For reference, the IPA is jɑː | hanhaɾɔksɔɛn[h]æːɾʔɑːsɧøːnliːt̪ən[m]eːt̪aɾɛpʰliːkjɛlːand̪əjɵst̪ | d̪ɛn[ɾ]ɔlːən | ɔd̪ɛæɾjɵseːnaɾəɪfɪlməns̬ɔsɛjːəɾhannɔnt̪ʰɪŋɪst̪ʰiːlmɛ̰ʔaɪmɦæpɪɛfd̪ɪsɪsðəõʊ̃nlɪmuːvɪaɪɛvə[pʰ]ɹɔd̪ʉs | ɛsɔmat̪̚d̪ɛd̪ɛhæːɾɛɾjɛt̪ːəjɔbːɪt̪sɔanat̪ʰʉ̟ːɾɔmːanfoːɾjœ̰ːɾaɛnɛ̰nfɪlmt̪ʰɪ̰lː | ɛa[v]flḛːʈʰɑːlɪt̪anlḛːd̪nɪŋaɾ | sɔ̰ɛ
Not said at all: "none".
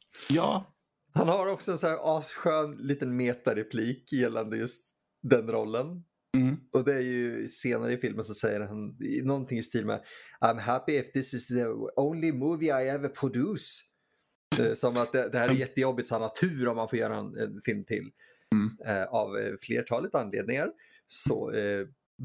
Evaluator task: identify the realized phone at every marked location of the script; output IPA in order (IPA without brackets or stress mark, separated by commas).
s, m, ɾ, pʰ, v